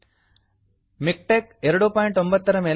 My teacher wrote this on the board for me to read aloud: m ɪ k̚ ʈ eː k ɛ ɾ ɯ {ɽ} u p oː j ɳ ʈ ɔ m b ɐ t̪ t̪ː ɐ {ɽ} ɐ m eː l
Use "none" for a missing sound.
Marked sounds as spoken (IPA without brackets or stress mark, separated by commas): ɽ, ɾ